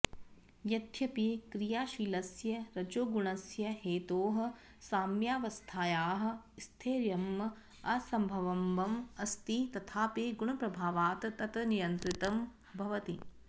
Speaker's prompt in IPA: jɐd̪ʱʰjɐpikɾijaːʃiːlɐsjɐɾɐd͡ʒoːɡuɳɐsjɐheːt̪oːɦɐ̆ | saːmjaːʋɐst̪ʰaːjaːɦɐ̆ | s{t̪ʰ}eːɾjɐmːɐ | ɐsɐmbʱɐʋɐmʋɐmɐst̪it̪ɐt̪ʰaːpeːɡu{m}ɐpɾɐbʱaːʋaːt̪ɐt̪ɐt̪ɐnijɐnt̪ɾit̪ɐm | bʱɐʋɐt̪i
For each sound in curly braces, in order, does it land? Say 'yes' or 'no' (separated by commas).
yes, no